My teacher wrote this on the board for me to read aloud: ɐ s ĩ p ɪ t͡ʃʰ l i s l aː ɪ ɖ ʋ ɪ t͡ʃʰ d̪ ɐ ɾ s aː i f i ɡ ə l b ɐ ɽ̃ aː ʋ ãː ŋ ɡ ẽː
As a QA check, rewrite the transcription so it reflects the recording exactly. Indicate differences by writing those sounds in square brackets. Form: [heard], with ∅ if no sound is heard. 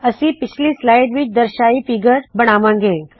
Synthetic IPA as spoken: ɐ s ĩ p ɪ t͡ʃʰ l i s l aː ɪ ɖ ʋ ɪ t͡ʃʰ d̪ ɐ ɾ [ʃ] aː i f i ɡ ə [ɾ] b ɐ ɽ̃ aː ʋ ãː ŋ ɡ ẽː

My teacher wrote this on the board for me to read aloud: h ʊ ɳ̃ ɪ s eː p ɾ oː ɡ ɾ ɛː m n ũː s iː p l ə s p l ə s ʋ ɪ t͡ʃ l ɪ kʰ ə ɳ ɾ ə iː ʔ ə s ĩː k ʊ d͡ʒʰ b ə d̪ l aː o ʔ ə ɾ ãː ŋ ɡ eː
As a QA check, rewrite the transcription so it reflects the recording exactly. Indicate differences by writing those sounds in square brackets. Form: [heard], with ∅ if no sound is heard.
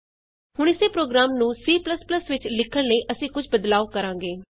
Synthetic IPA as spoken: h ʊ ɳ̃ ɪ s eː p ɾ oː ɡ ɾ [aː] m n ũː s iː p l ə s p l ə s ʋ ɪ t͡ʃ l ɪ kʰ ə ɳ [l] ə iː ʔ ə s ĩː k ʊ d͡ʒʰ b ə d̪ l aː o [k] ə ɾ ãː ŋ ɡ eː

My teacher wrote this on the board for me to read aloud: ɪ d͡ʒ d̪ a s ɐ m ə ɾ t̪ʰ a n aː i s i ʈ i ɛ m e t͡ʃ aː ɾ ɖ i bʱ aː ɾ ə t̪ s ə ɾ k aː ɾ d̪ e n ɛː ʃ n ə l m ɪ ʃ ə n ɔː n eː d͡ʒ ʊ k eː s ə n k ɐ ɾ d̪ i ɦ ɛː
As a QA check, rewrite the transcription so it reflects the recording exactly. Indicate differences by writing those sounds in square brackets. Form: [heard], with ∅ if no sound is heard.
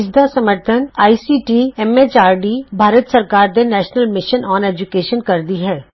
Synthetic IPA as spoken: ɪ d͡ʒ d̪ a s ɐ m ə ɾ t̪ʰ [ə] n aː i s i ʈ i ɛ m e t͡ʃ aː ɾ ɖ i bʱ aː ɾ ə t̪ s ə ɾ k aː ɾ d̪ e n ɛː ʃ n ə l m ɪ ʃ ə n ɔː n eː d͡ʒ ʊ k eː [ʃ] ə n k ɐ ɾ d̪ i ɦ ɛː

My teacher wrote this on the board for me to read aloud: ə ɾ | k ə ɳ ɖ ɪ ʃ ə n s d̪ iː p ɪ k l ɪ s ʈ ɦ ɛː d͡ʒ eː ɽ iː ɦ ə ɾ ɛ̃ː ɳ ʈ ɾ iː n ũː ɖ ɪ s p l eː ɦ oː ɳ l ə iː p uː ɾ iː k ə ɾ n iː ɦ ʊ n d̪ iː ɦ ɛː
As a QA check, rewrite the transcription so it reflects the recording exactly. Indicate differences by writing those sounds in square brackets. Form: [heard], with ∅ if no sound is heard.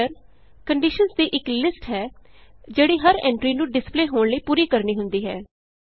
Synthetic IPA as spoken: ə ɾ | k ə ɳ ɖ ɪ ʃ ə n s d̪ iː [ʔ] ɪ k l ɪ s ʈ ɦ ɛː d͡ʒ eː ɽ iː ɦ ə ɾ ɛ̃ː ɳ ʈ ɾ iː n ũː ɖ ɪ s p l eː ɦ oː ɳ l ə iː p uː ɾ iː k ə ɾ n iː ɦ ʊ n d̪ iː ɦ ɛː

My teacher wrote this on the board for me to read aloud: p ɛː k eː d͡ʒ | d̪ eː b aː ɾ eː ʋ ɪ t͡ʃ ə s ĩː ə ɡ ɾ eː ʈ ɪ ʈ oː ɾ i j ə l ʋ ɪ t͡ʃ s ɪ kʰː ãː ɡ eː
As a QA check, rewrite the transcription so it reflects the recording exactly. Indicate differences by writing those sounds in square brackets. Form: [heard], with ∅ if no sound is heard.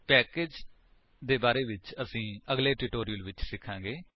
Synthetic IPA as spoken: p ɛː k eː d͡ʒ | d̪ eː b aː ɾ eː ʋ ɪ t͡ʃ ə s ĩː ə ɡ [l] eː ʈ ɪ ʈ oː ɾ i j ə l ʋ ɪ t͡ʃ s ɪ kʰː ãː ɡ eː

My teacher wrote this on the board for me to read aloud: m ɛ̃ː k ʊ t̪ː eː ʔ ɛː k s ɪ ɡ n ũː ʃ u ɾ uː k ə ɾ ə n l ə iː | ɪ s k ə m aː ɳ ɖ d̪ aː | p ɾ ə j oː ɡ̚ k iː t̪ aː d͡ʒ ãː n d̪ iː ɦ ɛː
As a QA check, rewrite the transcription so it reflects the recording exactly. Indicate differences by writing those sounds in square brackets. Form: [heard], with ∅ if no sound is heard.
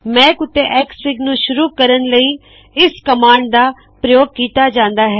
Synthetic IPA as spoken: m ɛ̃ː k ʊ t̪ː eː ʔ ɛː k s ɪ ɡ n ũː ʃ [ʊ] ɾ uː k ə ɾ ə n l ə iː | ɪ s k ə m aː ɳ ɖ d̪ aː | p ɾ ə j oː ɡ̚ k iː t̪ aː d͡ʒ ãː n d̪ [aː] ɦ ɛː

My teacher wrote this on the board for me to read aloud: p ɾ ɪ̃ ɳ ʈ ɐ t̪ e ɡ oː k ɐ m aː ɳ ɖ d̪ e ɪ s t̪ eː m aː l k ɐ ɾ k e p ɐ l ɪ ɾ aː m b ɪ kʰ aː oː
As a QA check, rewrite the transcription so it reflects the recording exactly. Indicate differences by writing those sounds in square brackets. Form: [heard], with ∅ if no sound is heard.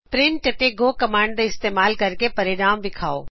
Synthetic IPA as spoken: p ɾ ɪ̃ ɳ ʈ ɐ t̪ e ɡ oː k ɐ m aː ɳ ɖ d̪ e ɪ s t̪ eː m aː l k ɐ ɾ k e p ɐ [ɾ] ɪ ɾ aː m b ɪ kʰ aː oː

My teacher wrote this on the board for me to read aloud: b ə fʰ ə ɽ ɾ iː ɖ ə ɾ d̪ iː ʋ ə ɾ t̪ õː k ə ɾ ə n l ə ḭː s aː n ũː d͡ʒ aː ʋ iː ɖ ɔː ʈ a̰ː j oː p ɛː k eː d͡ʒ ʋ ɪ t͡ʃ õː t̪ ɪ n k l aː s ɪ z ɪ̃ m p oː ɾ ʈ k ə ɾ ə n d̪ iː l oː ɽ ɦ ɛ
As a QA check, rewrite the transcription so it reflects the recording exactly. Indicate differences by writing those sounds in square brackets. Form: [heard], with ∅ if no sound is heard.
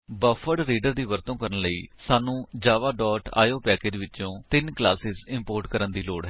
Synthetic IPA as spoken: b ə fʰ ə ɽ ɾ iː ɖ ə ɾ d̪ iː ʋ ə ɾ t̪ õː k ə ɾ ə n l ə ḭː s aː n ũː d͡ʒ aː ʋ [aː] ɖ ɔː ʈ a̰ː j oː p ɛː k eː d͡ʒ ʋ ɪ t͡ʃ õː t̪ ɪ n k l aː s ɪ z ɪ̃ m p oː ɾ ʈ k ə ɾ ə n d̪ iː l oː ɽ ɦ ɛ

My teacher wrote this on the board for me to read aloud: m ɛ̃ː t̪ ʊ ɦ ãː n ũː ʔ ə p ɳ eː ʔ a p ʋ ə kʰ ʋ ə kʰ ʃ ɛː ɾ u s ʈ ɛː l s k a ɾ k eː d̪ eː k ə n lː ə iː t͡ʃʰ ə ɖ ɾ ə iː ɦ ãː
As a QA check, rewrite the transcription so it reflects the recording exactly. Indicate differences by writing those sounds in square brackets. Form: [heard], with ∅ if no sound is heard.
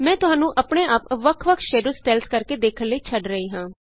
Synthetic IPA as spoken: m ɛ̃ː t̪ ʊ ɦ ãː n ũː ʔ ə p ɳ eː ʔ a p ʋ ə kʰ ʋ ə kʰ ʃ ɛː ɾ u s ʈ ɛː l s k [ə] ɾ k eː d̪ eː [kʰ] ə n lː ə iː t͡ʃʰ ə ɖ ɾ ə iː ɦ ãː

